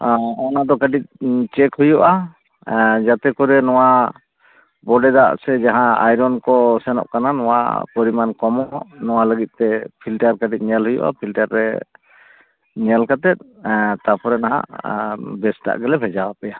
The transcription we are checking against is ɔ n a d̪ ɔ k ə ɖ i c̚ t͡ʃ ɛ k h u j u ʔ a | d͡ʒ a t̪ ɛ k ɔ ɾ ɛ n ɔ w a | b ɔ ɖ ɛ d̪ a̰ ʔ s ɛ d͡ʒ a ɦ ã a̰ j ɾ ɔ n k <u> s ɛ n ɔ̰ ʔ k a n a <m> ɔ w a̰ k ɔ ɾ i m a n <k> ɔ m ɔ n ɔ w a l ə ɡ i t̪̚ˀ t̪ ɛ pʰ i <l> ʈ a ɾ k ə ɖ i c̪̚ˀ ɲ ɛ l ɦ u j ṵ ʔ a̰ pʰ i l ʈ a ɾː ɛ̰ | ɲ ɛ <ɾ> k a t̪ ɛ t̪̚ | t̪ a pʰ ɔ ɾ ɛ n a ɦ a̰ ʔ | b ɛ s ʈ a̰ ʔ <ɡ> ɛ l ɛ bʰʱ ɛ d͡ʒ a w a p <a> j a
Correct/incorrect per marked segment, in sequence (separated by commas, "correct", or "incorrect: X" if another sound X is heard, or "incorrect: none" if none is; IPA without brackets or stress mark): incorrect: ɔ, incorrect: n, correct, correct, incorrect: l, correct, incorrect: ɛ